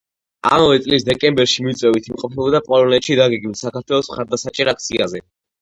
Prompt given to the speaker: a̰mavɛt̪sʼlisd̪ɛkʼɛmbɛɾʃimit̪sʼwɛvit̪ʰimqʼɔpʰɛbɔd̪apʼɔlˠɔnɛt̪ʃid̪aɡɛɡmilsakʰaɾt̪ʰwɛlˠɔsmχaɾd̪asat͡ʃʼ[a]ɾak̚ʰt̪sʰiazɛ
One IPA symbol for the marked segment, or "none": ɛ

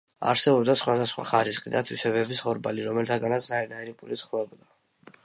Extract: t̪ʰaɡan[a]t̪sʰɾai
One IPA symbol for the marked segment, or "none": a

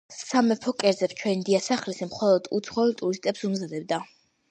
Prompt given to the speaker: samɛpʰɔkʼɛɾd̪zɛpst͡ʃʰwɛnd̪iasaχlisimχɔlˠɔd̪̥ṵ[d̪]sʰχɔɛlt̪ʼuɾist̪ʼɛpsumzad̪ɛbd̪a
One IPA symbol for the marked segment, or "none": t̪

